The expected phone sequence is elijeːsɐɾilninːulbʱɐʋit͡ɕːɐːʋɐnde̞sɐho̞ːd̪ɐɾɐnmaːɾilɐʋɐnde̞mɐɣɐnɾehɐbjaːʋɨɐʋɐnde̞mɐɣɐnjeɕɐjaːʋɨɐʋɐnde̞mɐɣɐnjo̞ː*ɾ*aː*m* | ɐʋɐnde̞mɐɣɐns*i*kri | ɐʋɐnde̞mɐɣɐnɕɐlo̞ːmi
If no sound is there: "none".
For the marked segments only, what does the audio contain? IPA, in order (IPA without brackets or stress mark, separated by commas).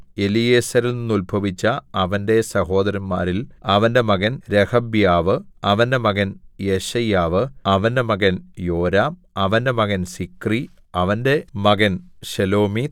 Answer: ɾ, m, i